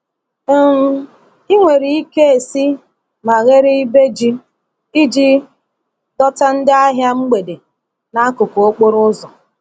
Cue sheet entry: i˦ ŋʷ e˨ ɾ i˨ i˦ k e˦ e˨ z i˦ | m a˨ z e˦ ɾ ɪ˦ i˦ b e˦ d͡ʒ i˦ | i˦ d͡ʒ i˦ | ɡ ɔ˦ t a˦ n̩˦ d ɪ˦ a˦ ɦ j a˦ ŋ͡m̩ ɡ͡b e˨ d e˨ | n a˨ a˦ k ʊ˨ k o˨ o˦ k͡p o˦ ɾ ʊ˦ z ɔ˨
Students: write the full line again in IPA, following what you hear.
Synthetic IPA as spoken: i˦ ŋʷ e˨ ɾ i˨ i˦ k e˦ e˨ s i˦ | m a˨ ɣ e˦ ɾ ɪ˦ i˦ b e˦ d͡ʒ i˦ | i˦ d͡ʒ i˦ | d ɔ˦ t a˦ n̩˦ d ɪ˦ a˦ ɦ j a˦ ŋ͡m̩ ɡ͡b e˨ d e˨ | n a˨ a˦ k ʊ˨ k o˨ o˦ k͡p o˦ ɾ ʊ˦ z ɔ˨